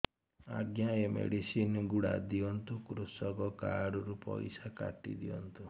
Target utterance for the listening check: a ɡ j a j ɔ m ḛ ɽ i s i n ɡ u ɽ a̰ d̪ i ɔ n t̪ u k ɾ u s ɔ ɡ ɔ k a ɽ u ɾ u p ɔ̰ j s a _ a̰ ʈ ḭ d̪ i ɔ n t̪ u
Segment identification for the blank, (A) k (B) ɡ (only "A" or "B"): A